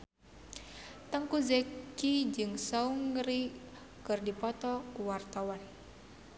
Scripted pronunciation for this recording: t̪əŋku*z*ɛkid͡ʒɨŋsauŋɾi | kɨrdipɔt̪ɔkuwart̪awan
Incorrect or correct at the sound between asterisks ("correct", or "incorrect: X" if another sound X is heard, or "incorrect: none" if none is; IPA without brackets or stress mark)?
correct